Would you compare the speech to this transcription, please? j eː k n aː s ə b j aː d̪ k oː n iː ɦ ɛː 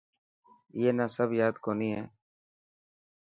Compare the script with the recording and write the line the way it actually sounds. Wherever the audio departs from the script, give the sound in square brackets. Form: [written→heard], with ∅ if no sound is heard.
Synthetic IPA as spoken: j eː [k→∅] n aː s ə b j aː d̪ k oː n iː ɦ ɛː